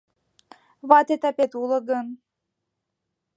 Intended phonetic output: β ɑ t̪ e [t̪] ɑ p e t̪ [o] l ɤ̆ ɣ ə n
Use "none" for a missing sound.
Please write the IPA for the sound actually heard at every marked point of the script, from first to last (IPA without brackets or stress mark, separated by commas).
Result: t̪, u